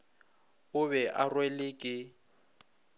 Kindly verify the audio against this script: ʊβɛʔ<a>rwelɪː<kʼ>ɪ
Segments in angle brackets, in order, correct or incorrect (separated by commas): correct, correct